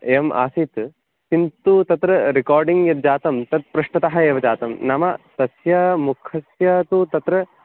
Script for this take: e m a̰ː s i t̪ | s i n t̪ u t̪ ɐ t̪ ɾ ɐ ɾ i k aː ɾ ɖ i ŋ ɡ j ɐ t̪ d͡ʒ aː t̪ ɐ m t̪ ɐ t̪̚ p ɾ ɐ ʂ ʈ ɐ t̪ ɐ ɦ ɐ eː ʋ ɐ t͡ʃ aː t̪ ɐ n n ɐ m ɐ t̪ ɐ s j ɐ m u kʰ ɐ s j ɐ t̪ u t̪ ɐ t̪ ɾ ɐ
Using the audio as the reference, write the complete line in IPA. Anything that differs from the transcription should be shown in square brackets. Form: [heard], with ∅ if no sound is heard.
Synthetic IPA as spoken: e m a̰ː s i t̪ | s i n t̪ u t̪ ɐ t̪ ɾ ɐ ɾ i k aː ɾ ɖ i ŋ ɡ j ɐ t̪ d͡ʒ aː t̪ ɐ m t̪ ɐ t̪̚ p ɾ ɐ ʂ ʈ ɐ t̪ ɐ ɦ ɐ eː ʋ ɐ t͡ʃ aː t̪ ɐ [m] n ɐ m ɐ t̪ ɐ s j ɐ m u kʰ ɐ s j ɐ t̪ u t̪ ɐ t̪ ɾ ɐ